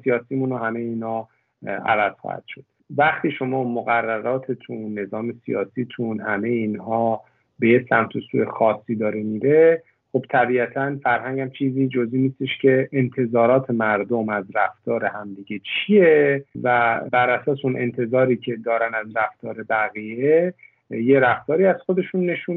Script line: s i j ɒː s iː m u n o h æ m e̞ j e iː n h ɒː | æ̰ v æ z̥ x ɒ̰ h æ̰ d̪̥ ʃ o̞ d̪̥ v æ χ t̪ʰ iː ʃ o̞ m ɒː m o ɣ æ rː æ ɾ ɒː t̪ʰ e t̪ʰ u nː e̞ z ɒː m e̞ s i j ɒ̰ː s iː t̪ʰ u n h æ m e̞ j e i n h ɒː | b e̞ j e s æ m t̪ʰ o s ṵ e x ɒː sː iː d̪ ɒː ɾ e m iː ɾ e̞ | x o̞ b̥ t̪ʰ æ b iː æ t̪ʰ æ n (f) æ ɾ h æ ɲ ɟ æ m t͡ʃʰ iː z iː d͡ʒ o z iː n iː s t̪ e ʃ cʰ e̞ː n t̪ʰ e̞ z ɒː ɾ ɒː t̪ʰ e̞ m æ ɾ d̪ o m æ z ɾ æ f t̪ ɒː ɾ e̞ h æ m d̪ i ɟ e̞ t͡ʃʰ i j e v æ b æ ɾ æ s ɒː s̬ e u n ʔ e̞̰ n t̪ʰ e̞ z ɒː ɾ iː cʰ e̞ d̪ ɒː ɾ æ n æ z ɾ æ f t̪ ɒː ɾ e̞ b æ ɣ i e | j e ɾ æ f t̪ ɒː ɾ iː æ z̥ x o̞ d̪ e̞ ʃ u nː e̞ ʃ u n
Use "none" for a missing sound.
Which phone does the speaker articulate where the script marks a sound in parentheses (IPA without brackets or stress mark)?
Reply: f